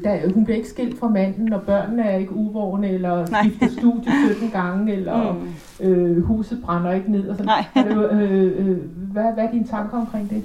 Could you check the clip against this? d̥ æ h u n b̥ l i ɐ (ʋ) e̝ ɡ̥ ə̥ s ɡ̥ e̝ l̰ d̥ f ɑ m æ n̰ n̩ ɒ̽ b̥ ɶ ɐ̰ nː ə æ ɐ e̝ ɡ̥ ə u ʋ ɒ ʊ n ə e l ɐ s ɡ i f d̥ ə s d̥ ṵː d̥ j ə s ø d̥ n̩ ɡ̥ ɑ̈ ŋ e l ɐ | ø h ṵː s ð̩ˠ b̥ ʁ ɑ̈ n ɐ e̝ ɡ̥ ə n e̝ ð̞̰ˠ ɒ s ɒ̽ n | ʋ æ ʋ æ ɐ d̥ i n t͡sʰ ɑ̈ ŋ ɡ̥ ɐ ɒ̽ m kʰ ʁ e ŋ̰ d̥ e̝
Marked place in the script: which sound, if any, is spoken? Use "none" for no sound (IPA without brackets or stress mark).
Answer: none